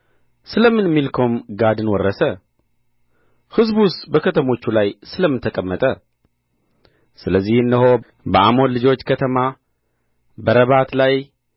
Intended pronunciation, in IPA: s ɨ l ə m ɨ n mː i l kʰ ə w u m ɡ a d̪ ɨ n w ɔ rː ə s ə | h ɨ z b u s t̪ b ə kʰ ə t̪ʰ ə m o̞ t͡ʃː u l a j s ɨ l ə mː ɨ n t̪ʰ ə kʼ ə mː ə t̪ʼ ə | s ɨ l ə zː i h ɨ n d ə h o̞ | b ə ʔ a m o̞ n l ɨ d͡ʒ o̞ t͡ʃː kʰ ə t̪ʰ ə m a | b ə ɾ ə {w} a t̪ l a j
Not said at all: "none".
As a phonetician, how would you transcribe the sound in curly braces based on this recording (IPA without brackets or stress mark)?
β